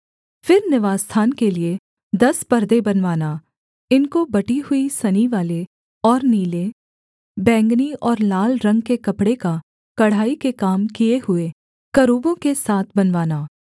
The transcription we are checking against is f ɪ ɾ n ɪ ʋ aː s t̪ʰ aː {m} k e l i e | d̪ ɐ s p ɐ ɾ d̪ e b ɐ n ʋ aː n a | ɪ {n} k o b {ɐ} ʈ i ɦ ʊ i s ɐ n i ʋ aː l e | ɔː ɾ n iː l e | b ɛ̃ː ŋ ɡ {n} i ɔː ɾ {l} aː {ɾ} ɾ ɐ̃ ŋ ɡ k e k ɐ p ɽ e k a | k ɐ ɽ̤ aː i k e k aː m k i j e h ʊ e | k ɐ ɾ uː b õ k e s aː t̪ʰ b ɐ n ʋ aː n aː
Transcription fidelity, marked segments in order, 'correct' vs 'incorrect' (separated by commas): incorrect, correct, correct, correct, correct, incorrect